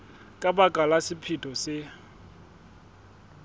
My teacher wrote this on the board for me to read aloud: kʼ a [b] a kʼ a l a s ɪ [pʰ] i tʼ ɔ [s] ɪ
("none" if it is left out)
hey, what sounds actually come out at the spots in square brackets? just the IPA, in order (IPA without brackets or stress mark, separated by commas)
b, pʰ, s